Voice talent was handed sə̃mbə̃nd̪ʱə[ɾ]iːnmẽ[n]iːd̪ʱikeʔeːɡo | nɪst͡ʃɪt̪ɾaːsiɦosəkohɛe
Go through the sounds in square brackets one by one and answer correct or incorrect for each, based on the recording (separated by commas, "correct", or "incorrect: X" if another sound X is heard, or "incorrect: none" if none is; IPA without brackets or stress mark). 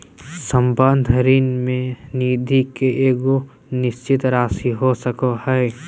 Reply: correct, correct